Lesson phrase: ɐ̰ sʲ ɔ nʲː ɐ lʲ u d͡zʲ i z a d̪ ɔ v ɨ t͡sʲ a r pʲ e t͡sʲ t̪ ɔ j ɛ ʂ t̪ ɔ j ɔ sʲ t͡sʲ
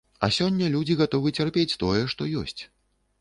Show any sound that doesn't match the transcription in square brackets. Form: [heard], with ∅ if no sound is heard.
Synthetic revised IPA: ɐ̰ sʲ ɔ nʲː ɐ lʲ u d͡zʲ i [ɣ] a [t̪] ɔ v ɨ t͡sʲ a r pʲ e t͡sʲ t̪ ɔ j ɛ ʂ t̪ ɔ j ɔ sʲ t͡sʲ